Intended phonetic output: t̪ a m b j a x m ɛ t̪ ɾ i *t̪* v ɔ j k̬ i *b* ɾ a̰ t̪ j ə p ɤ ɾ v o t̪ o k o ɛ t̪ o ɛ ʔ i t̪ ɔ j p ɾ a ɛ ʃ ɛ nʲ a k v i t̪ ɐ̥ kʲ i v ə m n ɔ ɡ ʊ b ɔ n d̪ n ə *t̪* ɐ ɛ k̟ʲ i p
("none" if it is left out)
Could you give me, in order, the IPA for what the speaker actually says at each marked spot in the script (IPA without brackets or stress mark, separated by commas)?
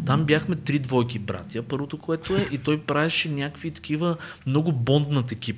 d̪, b, t̪